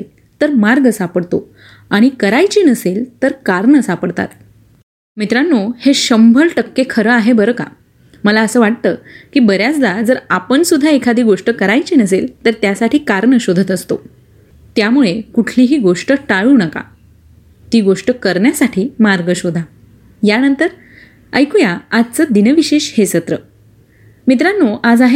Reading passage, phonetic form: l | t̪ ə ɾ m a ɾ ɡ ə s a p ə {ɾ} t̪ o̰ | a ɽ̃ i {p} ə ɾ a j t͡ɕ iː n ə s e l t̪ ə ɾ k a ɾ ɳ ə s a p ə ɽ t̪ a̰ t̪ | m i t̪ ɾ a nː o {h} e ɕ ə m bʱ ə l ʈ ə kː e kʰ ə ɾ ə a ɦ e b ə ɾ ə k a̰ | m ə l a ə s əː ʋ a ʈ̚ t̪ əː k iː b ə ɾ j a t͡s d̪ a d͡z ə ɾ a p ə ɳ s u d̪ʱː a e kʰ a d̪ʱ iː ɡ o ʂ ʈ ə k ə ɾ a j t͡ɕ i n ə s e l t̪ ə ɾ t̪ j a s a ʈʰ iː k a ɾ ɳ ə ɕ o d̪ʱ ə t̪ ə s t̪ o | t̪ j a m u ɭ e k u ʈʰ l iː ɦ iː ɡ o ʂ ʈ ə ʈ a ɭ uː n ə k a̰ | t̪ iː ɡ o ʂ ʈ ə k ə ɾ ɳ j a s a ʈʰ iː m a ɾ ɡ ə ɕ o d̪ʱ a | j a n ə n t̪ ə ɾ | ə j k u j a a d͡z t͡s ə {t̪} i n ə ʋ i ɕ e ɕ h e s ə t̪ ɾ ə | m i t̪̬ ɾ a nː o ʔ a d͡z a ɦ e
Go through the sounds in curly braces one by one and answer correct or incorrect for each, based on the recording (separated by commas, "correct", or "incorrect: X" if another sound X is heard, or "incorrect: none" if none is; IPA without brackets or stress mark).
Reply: incorrect: ɽ, incorrect: k, correct, incorrect: d̪